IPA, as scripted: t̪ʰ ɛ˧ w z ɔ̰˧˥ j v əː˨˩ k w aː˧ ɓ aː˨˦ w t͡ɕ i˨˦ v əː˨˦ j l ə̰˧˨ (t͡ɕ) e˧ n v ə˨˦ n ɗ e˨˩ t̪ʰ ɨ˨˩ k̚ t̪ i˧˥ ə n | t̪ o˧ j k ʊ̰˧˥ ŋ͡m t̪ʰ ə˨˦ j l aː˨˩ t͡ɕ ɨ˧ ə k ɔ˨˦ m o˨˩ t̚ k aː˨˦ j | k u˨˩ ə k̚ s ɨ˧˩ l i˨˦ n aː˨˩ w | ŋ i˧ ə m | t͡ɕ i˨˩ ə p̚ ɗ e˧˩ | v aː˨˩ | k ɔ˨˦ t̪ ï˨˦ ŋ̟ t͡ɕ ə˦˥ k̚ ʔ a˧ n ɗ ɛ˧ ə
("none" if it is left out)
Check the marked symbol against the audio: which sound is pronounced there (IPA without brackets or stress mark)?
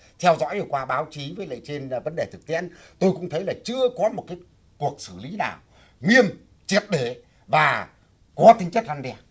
t͡ɕ